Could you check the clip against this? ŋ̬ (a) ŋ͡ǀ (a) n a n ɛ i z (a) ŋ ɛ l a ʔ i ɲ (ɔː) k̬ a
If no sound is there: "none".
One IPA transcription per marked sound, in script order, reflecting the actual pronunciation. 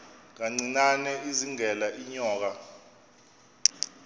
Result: a, i, i, ɔː

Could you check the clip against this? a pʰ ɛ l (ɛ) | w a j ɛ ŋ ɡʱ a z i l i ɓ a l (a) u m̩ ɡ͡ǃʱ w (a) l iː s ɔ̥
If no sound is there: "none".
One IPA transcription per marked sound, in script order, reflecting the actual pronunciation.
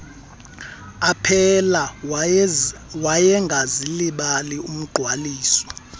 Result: a, i, a

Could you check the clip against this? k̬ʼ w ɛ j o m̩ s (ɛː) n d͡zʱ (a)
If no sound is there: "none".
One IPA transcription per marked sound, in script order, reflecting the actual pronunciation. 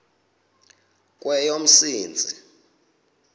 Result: iː, i

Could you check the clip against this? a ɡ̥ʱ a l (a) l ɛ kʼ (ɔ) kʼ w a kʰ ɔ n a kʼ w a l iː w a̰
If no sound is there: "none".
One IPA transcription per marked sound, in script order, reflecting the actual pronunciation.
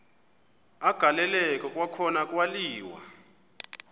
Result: ɛ, ɔ

